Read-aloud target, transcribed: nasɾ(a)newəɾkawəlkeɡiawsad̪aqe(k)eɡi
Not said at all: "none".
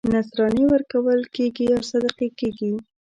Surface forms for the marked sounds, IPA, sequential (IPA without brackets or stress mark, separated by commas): ɑ, k